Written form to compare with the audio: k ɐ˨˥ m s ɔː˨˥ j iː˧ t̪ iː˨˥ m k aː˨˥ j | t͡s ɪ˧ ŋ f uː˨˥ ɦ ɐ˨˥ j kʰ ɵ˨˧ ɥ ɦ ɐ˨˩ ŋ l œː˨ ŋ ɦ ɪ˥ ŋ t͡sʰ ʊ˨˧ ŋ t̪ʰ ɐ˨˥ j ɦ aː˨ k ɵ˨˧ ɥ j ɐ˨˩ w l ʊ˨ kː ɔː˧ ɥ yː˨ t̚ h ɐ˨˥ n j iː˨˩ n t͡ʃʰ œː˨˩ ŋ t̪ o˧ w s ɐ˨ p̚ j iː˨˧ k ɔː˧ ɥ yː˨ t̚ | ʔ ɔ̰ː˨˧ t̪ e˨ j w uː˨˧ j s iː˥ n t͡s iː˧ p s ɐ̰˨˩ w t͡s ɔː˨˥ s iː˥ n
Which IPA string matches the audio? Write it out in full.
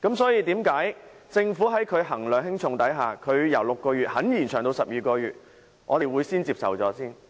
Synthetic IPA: k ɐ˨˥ m s ɔː˨˥ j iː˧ t̪ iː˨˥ m k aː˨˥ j | t͡s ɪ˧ ŋ f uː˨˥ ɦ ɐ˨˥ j kʰ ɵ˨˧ ɥ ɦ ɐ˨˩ ŋ l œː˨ ŋ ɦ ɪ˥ ŋ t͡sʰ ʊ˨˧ ŋ t̪ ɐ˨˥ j ɦ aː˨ kʰ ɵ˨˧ ɥ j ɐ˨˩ w l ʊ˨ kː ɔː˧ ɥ yː˨ t̚ h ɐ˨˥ n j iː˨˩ n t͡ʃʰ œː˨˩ ŋ t̪ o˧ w s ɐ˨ p̚ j iː˨˧ k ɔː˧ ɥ yː˨ t̚ | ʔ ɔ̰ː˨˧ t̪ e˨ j w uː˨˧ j s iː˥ n t͡s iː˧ p s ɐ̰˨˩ w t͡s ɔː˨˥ s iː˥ n

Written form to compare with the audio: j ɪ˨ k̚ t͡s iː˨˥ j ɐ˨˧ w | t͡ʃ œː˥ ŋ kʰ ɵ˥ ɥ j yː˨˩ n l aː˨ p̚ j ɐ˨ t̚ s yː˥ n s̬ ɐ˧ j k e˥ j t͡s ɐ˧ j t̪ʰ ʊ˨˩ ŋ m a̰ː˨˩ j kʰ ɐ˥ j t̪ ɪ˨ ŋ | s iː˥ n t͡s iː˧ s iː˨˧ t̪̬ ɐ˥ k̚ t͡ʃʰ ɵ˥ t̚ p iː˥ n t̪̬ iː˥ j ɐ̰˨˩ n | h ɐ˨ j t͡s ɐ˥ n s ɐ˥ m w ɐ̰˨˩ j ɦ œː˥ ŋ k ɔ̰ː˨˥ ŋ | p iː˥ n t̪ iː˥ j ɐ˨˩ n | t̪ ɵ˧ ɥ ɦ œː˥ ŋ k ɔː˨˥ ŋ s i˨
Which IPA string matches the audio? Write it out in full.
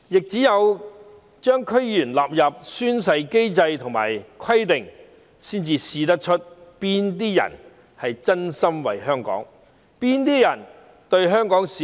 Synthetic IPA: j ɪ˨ k̚ t͡s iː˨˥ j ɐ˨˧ w | t͡ʃ œː˥ ŋ kʰ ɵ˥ ɥ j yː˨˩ n l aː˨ p̚ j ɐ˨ p̚ s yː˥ n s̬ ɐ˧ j k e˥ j t͡s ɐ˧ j t̪ʰ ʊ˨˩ ŋ m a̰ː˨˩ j kʰ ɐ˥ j t̪ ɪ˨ ŋ | s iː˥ n t͡s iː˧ s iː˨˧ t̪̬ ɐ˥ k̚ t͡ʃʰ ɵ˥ t̚ p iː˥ n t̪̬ iː˥ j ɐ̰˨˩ n | h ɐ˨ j t͡s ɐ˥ n s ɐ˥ m w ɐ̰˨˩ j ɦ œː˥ ŋ k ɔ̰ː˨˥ ŋ | p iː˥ n t̪ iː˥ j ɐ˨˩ n | t̪ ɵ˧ ɥ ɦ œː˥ ŋ k ɔː˨˥ ŋ s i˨

